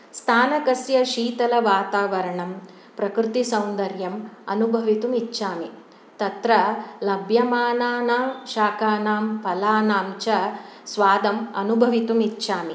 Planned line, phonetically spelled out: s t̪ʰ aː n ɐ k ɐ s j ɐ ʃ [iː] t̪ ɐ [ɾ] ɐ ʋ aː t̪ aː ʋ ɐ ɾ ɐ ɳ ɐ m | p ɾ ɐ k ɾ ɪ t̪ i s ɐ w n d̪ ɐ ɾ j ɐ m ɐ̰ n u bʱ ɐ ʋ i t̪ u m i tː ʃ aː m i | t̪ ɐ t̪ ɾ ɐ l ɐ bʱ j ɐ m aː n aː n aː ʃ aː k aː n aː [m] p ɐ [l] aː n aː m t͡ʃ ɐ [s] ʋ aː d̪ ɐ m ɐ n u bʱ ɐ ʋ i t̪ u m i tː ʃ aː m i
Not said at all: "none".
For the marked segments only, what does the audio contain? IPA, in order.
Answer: iː, l, m, l, s

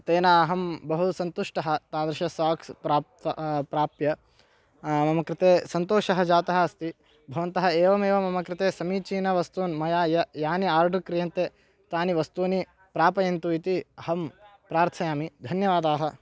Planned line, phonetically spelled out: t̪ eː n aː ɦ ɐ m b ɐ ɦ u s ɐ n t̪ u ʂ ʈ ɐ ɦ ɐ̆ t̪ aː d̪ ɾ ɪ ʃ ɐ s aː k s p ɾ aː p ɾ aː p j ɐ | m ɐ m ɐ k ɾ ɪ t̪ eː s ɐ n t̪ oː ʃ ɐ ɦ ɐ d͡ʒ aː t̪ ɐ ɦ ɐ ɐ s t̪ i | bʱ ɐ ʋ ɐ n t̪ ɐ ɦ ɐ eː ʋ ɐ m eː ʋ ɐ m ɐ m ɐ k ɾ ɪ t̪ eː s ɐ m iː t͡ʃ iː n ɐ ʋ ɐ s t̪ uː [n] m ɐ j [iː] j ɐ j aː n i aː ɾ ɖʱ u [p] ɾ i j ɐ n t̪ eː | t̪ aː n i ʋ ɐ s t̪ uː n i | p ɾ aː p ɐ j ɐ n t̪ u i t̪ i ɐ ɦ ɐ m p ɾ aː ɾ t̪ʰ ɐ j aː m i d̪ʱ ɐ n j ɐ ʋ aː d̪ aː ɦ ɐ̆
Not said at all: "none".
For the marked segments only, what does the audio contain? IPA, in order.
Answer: n, aː, k

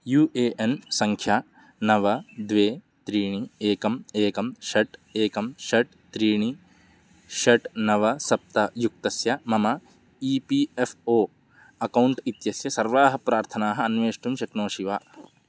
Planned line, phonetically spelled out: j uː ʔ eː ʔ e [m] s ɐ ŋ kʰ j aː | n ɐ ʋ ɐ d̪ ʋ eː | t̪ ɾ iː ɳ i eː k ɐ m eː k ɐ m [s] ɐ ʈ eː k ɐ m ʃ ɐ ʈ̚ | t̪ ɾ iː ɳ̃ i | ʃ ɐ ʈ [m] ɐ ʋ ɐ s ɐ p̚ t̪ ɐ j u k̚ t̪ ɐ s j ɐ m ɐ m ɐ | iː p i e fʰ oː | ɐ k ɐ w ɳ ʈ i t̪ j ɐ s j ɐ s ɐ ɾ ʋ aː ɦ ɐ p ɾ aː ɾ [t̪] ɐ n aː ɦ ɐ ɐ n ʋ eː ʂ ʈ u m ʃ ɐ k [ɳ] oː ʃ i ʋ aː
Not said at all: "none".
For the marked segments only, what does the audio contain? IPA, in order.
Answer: n, ʃ, n, t̪ʰ, n

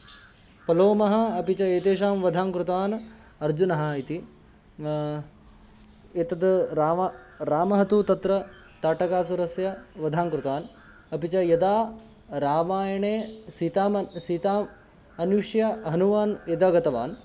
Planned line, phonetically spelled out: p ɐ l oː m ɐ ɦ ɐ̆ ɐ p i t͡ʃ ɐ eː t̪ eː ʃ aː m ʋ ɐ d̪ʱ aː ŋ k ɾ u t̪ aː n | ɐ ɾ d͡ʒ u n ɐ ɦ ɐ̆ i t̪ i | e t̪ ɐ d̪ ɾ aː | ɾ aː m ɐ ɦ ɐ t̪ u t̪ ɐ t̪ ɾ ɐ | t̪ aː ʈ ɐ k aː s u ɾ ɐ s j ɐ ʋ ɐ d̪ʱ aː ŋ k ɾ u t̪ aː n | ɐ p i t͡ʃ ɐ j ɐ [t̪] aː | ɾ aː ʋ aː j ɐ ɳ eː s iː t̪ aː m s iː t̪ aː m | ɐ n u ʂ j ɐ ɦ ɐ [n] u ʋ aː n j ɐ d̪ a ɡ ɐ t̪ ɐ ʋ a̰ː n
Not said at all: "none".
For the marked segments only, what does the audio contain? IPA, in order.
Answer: d̪, n

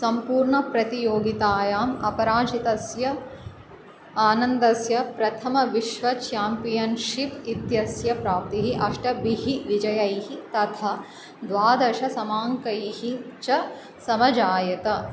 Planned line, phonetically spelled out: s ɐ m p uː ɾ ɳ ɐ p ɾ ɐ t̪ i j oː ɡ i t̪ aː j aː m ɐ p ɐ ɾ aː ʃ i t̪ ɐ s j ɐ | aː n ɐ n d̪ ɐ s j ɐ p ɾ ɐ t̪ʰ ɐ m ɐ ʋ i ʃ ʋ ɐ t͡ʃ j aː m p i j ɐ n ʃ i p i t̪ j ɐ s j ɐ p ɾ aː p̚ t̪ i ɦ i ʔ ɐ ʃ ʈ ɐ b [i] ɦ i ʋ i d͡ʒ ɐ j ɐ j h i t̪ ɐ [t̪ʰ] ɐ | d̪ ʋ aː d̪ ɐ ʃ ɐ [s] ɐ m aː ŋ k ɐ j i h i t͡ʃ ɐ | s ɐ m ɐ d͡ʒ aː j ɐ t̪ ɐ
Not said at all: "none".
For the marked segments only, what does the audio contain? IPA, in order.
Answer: i, t̪ʰ, s

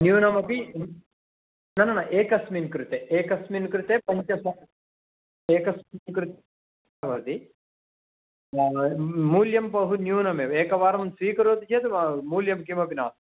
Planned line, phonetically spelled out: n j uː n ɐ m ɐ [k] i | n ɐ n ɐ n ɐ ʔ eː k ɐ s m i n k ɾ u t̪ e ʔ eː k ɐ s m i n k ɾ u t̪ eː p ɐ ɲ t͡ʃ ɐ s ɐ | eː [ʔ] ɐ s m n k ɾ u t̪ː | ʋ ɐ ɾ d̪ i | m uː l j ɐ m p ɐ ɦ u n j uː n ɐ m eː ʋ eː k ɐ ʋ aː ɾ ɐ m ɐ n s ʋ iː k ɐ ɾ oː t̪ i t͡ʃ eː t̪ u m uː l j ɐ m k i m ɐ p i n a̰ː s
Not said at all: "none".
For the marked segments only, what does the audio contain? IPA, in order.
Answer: p, k

